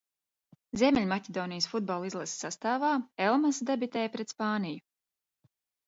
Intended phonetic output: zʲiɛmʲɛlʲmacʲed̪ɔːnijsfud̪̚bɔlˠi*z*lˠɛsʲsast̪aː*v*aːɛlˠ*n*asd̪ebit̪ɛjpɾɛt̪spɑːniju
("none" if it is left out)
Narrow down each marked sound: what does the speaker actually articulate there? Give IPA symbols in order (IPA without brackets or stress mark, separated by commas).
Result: z, v, m